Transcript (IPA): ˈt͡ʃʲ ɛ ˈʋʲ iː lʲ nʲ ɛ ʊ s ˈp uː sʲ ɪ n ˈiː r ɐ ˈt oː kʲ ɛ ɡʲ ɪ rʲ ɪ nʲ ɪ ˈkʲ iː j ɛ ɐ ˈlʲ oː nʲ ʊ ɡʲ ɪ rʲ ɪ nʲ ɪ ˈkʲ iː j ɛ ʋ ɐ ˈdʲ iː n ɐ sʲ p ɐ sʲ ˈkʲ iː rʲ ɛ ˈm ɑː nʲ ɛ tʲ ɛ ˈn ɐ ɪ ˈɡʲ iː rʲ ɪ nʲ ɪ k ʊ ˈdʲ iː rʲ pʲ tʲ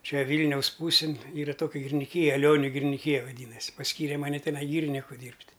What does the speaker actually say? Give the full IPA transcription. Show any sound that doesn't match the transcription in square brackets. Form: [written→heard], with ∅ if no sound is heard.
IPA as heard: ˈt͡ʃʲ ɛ ˈʋʲ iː lʲ nʲ ɛ ʊ s ˈp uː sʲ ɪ n ˈiː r ɐ ˈt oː kʲ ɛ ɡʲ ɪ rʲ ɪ nʲ ɪ ˈkʲ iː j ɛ ɐ ˈlʲ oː nʲ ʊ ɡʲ ɪ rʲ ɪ nʲ ɪ ˈkʲ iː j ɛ ʋ ɐ ˈdʲ iː n ɐ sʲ p ɐ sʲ ˈkʲ iː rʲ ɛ ˈm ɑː nʲ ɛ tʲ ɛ ˈn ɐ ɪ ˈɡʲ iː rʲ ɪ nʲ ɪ k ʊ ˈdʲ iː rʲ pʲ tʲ